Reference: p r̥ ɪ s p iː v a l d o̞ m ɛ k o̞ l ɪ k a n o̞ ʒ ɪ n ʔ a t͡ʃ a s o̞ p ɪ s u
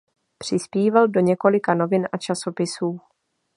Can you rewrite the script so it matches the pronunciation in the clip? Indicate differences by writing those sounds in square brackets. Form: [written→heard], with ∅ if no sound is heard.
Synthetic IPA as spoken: p r̥ ɪ s p iː v a l d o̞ [m→ɲ] ɛ k o̞ l ɪ k a n o̞ [ʒ→v] ɪ n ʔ a t͡ʃ a s o̞ p ɪ s [u→uː]